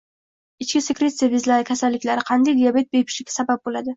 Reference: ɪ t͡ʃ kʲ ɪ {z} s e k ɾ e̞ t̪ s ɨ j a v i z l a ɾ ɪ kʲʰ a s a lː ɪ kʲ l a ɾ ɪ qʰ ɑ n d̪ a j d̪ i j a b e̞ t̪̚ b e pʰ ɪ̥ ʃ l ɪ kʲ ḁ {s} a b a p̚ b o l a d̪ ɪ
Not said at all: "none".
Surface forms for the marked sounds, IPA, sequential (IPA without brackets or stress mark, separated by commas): none, s